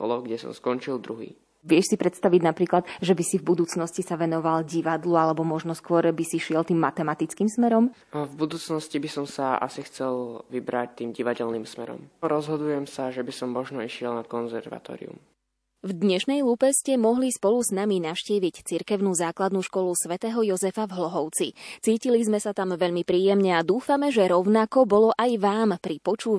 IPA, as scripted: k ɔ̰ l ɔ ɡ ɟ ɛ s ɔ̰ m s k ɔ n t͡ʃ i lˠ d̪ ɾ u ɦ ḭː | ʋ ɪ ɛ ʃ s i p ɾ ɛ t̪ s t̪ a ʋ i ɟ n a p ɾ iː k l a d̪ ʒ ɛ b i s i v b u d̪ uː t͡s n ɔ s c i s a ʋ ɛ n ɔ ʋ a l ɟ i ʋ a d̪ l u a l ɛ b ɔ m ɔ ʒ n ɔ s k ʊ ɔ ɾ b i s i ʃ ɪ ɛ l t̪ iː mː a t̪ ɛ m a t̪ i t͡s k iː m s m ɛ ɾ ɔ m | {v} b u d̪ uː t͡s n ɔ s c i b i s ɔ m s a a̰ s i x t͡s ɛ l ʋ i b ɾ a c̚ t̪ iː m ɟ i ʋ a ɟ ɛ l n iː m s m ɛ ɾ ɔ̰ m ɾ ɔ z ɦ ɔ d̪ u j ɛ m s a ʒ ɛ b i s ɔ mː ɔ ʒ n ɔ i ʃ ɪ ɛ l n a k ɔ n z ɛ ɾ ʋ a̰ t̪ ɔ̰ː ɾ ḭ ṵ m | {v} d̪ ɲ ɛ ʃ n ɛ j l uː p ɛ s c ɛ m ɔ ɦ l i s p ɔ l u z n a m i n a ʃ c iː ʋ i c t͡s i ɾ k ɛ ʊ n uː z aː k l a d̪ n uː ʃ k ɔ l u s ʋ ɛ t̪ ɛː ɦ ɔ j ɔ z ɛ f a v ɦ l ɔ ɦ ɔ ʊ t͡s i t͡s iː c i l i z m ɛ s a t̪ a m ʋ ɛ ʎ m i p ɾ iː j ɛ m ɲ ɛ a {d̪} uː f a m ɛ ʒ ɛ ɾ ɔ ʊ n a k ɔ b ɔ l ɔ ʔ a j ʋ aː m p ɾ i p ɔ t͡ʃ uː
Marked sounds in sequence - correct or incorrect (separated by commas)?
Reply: correct, correct, correct